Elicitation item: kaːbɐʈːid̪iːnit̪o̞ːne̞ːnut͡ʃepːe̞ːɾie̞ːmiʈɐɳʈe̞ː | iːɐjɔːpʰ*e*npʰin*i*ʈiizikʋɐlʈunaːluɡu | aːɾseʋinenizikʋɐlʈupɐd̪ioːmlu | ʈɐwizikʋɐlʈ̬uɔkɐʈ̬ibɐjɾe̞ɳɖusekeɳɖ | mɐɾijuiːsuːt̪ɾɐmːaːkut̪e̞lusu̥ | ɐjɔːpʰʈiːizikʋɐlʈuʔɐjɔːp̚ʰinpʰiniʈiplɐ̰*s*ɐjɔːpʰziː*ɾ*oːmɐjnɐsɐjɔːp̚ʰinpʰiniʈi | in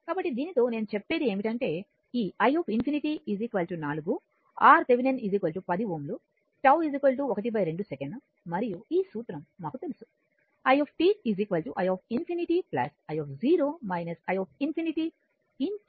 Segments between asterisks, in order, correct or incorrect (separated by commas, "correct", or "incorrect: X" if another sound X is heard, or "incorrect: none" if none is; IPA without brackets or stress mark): incorrect: i, correct, correct, correct